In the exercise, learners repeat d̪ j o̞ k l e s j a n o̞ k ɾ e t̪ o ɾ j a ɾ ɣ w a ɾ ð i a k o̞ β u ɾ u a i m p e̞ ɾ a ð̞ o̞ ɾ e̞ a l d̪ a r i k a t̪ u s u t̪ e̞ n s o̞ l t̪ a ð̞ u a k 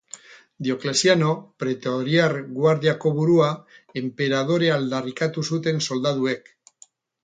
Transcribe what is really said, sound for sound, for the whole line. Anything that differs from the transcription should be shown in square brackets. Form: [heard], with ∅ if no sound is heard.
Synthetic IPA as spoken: d̪ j o̞ k l e s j a n o̞ [p] ɾ e t̪ o ɾ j a ɾ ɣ w a ɾ ð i a k o̞ β u ɾ u a [e] m p e̞ ɾ a ð̞ o̞ ɾ e̞ a l d̪ a r i k a t̪ u s u t̪ e̞ n s o̞ l [d̪] a ð̞ u [e] k